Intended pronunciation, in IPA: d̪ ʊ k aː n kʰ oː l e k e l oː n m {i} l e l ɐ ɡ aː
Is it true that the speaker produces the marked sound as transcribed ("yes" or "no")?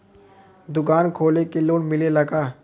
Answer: no